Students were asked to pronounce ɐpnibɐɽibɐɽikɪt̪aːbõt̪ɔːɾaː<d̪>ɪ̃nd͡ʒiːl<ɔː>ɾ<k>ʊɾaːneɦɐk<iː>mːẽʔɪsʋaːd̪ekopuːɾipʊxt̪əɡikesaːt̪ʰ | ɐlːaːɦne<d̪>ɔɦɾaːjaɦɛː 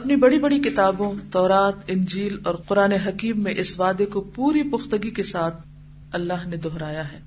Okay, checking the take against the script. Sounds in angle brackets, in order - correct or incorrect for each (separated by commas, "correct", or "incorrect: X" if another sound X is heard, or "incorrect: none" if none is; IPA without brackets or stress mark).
incorrect: t̪, correct, incorrect: q, correct, correct